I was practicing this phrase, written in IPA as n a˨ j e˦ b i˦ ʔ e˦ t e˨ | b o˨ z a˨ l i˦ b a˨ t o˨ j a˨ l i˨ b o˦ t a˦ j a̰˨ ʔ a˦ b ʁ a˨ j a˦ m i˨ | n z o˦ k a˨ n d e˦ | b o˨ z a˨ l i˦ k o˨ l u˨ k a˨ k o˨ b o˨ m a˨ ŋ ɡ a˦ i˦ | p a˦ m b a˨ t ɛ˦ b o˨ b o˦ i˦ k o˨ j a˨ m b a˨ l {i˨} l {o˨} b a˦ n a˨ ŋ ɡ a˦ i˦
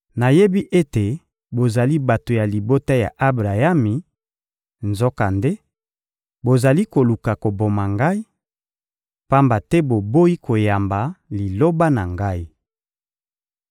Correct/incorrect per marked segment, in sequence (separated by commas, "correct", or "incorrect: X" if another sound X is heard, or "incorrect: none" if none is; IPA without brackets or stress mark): correct, incorrect: o˦